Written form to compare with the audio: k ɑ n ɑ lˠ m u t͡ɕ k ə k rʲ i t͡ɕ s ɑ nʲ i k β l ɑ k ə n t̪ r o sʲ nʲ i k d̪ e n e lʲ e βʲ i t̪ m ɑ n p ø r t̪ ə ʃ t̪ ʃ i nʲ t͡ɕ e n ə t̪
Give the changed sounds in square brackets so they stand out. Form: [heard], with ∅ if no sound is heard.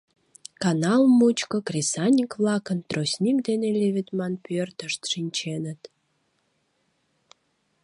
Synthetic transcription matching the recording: k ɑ n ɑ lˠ m u t͡ɕ k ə k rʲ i [∅] s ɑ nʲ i k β l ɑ k ə n t̪ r o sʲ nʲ i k d̪ e n e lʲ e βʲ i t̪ m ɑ n p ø r t̪ ə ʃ t̪ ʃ i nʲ t͡ɕ e n ə t̪